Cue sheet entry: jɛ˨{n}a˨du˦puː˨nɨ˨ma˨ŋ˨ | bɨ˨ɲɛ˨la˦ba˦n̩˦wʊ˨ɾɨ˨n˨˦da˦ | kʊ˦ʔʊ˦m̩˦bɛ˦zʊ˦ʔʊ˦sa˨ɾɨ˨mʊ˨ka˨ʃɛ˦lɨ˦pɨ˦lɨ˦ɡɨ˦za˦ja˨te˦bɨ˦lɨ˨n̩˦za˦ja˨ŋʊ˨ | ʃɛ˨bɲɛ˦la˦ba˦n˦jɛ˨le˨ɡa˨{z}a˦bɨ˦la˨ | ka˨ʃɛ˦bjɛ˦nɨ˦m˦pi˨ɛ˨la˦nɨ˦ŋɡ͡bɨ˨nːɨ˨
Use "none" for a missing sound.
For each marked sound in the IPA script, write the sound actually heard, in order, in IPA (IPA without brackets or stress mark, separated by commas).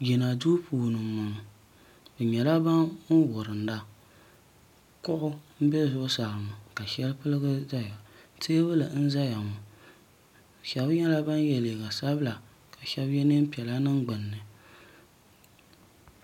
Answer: n, s